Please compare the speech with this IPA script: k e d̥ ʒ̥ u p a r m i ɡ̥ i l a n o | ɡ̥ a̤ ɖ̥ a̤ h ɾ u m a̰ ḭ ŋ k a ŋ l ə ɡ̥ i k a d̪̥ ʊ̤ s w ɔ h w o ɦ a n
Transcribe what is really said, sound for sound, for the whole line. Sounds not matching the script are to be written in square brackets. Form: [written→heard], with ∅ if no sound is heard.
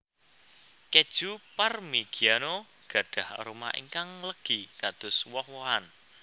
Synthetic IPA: k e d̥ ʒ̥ u p a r m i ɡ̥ i [l→∅] a n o | ɡ̥ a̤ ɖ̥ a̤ h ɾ u m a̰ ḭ ŋ k a ŋ l ə ɡ̥ i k a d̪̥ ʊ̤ s w ɔ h w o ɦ a n